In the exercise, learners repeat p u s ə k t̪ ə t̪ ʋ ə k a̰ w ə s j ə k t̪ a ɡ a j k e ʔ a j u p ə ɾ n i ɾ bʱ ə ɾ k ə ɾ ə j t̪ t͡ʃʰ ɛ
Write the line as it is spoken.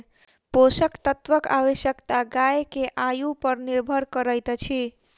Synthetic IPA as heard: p o s ə k t̪ ə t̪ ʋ ə k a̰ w ə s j ə k t̪ a ɡ a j k e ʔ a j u p ə ɾ n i ɾ bʱ ə ɾ k ə ɾ ə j t̪ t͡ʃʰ i